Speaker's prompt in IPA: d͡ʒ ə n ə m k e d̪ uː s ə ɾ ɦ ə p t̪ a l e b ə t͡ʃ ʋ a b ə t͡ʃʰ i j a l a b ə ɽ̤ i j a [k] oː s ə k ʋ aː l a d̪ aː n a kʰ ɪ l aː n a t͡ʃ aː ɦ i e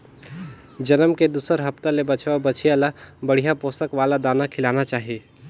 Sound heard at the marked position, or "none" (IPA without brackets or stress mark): p